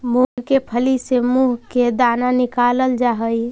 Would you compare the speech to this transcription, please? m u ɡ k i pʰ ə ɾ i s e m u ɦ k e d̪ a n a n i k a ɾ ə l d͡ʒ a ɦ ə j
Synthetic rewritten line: m u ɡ k e pʰ ə l i s e m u ɦ k e d̪ a n a n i k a l ə l d͡ʒ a ɦ ə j